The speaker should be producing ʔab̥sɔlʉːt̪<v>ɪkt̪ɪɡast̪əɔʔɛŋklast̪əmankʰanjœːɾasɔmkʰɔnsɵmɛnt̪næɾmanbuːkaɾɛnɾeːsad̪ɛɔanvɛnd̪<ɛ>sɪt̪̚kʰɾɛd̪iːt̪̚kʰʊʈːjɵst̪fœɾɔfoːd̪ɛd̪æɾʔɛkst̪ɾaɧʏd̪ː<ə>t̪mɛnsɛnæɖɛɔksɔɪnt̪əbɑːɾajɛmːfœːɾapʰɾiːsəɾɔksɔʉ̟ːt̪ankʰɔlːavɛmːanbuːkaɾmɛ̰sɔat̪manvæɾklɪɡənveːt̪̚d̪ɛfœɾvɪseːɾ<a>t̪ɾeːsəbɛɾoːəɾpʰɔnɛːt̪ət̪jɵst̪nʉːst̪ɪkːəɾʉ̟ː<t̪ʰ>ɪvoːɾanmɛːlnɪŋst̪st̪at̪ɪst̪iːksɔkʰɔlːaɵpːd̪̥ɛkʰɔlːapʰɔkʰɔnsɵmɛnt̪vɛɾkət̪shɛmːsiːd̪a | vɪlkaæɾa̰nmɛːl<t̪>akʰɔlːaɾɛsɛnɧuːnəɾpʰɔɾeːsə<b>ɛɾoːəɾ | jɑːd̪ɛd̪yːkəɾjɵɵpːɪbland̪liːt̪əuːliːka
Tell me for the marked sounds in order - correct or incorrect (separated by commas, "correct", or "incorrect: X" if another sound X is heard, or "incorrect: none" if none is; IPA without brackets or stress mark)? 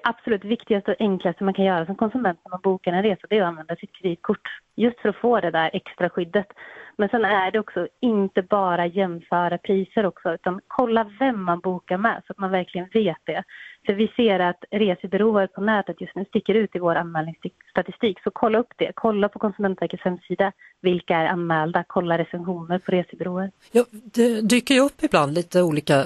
correct, incorrect: a, correct, correct, incorrect: t̪, incorrect: d̪, correct